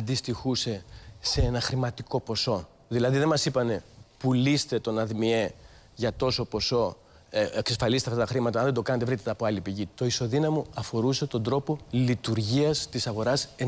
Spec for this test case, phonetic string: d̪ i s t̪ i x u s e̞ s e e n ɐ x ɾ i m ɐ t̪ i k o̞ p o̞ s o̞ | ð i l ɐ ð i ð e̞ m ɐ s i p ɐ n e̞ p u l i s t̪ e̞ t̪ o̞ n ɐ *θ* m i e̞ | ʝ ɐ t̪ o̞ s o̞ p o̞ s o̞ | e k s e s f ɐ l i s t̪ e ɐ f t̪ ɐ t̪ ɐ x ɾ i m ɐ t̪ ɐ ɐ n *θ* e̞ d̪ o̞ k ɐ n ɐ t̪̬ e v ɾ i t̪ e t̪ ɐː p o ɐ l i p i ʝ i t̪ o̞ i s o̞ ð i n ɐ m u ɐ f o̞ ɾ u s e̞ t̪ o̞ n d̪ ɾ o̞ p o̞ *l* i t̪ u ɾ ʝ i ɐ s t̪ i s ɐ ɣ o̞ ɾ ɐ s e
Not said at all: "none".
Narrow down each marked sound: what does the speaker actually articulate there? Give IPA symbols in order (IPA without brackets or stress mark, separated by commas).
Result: ð, ð, l